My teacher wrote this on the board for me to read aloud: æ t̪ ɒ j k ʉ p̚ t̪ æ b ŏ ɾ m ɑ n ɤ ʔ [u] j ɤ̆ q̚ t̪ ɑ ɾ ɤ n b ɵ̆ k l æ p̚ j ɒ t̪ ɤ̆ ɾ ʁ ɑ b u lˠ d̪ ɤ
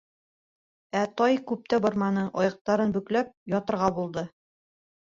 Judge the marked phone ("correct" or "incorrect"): incorrect